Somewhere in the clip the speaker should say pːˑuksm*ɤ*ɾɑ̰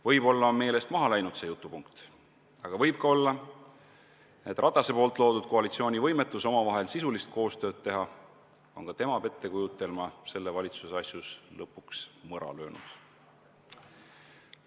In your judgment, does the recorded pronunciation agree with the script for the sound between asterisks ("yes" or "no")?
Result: yes